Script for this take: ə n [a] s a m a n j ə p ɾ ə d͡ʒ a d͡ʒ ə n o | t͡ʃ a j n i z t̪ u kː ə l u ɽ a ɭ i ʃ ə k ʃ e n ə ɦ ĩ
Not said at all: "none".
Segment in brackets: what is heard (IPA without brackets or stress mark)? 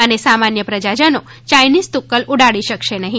e